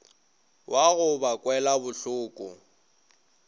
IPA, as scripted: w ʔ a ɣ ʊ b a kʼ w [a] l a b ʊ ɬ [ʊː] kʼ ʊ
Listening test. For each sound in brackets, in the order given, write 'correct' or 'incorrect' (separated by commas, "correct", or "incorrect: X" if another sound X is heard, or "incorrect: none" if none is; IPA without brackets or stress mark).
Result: incorrect: ɛ, correct